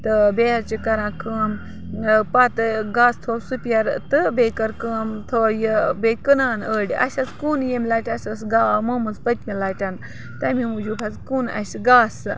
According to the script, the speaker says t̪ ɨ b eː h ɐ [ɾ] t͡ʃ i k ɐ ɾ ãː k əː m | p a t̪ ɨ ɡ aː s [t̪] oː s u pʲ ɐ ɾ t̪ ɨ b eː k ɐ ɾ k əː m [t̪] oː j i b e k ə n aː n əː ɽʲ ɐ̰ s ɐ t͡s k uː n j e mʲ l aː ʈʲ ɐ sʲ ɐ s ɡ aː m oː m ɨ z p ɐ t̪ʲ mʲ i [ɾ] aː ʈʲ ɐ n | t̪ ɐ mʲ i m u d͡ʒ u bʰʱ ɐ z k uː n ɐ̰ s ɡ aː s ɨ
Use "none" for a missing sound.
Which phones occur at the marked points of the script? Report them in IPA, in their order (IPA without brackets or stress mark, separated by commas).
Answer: ɾ, t̪ʰ, t̪ʰ, l